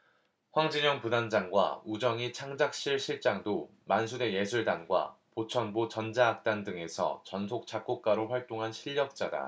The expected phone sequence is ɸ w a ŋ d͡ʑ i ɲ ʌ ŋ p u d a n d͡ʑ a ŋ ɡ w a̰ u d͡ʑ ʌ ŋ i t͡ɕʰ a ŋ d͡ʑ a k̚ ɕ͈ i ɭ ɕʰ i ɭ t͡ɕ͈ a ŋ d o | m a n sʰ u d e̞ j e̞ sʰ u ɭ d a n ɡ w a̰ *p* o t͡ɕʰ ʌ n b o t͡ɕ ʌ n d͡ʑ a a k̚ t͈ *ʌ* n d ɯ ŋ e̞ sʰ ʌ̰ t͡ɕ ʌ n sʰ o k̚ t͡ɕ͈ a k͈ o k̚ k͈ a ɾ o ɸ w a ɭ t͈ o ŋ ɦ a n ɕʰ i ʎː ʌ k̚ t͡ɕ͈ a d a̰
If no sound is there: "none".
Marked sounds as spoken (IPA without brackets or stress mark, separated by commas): p, a